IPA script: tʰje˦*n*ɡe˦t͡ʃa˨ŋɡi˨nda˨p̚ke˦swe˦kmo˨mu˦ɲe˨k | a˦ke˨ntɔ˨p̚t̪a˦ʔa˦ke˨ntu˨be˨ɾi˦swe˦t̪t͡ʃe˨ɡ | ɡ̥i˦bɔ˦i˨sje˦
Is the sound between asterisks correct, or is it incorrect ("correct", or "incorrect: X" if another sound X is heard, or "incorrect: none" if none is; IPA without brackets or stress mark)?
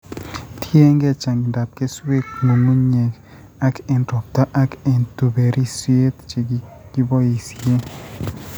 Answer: incorrect: ŋ